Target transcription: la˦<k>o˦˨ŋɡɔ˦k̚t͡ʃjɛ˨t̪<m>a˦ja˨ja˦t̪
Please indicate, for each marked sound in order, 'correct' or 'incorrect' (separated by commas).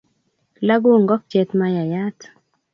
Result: incorrect, correct